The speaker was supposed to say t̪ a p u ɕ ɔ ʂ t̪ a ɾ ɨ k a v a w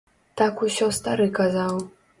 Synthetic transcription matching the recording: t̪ a k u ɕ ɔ s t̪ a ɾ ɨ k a z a w

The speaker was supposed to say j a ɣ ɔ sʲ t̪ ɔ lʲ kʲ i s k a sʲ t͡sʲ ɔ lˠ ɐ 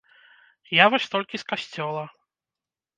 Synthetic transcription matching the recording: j a v ɔ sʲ t̪ ɔ lʲ kʲ i s k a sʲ t͡sʲ ɔ lˠ ɐ

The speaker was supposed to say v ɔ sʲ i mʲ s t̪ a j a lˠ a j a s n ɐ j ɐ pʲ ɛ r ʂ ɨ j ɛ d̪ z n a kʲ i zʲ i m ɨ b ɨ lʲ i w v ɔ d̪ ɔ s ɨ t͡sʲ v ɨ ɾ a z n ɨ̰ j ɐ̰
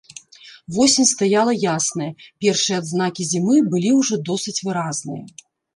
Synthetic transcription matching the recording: v ɔ sʲ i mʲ s t̪ a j a lˠ ɐ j a s n ɐ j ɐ pʲ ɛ r ʂ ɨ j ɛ d̪ z n a kʲ i zʲ i m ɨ b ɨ lʲ i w ʐ ɔ d̪ ɔ s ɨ t͡sʲ v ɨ ɾ a z n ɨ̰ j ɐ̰

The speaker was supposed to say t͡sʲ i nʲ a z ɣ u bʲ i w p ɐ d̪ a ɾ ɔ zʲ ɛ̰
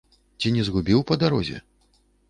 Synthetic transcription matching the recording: t͡sʲ i nʲ ɛ z ɣ u bʲ i w p ɐ d̪ a ɾ ɔ zʲ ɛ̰

